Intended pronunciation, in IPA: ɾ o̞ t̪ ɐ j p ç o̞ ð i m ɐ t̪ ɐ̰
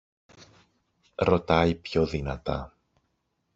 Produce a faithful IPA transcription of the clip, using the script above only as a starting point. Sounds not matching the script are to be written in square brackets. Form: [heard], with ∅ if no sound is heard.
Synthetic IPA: ɾ o̞ t̪ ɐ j p ç o̞ ð i [n] ɐ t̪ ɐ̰